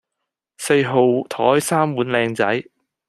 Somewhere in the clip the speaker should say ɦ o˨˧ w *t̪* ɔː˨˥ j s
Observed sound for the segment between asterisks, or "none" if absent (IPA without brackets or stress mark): t̪ʰ